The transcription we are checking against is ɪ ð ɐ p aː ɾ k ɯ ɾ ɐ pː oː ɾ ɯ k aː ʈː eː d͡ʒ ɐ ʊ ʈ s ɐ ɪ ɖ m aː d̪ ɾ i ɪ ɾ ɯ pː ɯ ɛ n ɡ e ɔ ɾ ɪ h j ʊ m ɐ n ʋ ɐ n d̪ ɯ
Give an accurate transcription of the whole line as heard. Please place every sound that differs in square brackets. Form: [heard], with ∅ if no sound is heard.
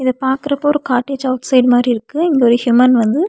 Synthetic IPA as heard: ɪ ð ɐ p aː ɾ k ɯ ɾ ɐ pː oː ɾ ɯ k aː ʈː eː d͡ʒ ɐ ʊ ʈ s ɐ ɪ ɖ m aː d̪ ɾ i ɪ ɾ ɯ [kː] ɯ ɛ [ŋ] ɡ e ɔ ɾ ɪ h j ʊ m ɐ n ʋ ɐ n d̪ ɯ